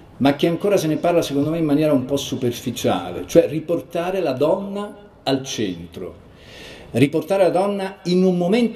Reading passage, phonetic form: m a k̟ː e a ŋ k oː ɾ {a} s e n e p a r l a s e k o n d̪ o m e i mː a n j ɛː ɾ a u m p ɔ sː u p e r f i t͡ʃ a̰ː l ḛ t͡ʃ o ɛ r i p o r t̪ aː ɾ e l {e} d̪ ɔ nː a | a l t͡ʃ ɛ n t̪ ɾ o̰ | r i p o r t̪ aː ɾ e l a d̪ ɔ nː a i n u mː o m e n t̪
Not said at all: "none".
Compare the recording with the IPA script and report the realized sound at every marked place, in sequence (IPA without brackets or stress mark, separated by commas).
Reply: a, a